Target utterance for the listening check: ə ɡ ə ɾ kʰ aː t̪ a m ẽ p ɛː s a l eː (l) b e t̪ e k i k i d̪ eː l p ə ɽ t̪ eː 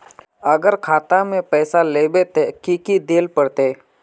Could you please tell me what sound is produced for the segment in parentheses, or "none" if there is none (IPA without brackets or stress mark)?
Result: none